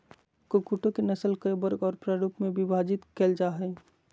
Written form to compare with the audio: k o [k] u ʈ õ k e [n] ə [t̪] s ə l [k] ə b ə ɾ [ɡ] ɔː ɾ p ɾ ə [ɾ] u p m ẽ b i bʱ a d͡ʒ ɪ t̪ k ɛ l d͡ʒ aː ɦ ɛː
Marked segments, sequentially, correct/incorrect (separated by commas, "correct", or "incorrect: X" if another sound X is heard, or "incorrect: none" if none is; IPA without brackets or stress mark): correct, correct, incorrect: none, correct, correct, correct